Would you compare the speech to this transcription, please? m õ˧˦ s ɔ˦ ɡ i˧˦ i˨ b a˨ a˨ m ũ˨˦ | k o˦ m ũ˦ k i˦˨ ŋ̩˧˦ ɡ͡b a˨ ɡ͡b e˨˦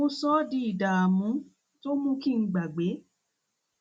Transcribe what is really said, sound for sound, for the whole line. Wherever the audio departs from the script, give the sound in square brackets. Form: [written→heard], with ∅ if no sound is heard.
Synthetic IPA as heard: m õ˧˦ s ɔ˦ [ɡ→d] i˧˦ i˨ [b→d] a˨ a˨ m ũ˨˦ | [k→t] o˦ m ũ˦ k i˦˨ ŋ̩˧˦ ɡ͡b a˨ ɡ͡b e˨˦

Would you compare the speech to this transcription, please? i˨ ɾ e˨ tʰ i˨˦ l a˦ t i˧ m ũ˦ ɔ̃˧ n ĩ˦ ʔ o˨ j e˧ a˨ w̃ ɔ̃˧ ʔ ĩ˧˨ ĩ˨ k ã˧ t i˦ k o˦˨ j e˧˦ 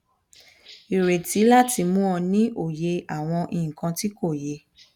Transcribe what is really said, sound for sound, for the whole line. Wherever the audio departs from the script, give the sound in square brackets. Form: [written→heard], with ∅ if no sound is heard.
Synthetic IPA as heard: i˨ ɾ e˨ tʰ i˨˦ l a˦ t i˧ m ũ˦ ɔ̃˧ n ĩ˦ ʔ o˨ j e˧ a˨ w̃ ɔ̃˧ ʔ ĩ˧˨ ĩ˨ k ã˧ t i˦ k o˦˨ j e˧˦

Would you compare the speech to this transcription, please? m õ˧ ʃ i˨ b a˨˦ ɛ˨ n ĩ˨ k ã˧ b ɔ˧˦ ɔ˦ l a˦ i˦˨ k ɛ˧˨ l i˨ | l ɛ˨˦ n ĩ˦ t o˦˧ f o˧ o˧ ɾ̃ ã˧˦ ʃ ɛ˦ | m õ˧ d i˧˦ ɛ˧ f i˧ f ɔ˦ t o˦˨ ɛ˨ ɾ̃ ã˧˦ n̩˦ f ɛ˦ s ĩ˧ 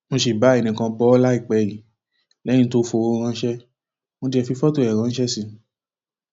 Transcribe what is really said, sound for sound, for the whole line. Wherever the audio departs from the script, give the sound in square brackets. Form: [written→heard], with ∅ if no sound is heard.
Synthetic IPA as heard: m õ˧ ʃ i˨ b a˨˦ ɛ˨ n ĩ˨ k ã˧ b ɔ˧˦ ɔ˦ l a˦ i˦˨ [k→k͡p] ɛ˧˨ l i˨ | l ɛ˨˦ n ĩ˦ t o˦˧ f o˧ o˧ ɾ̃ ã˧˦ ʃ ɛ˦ | m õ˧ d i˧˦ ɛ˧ f i˧ f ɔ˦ t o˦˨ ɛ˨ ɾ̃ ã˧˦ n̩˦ [f→ʃ] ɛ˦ s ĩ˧

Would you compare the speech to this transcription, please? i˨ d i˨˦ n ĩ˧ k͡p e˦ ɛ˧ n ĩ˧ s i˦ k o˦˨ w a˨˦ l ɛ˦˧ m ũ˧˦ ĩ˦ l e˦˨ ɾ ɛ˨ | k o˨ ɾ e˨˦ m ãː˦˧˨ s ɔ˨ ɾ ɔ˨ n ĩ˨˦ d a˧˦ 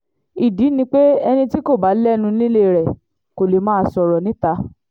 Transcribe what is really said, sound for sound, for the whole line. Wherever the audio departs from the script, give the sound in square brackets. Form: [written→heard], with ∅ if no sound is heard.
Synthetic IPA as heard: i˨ d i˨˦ n ĩ˧ k͡p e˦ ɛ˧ n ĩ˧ [s→t] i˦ k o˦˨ [w→b] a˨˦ l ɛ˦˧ [m→n] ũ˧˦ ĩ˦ l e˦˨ ɾ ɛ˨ | k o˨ [ɾ→l] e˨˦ m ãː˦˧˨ s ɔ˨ ɾ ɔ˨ n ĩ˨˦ [d→t] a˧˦

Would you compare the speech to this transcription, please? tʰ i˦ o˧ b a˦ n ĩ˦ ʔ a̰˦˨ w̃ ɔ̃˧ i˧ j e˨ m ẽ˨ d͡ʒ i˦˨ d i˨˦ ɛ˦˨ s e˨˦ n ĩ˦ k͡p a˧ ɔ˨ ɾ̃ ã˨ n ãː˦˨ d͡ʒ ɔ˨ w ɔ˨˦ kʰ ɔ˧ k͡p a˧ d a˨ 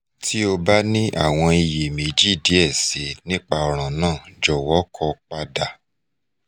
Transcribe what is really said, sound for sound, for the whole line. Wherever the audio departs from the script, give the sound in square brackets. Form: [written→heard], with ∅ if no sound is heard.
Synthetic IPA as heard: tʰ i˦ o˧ b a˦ n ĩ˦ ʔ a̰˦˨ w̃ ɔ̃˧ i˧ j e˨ m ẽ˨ d͡ʒ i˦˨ d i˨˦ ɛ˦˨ s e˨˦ n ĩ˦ k͡p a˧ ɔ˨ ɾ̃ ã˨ n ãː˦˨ d͡ʒ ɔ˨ w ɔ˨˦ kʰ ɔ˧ k͡p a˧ d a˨

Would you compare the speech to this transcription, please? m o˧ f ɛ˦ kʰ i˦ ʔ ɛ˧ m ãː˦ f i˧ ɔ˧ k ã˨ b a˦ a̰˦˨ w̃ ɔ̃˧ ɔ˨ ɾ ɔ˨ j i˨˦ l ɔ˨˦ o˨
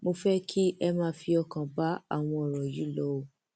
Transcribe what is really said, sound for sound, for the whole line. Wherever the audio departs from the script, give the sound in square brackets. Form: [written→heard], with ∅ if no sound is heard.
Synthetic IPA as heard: m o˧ f ɛ˦ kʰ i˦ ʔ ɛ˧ m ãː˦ f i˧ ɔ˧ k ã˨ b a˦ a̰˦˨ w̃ ɔ̃˧ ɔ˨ ɾ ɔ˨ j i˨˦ l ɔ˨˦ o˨

